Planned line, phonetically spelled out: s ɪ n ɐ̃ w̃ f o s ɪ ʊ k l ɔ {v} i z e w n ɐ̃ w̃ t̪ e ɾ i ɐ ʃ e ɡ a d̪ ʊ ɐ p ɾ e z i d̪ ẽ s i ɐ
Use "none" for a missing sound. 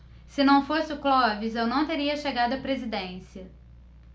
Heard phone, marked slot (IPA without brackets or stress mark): v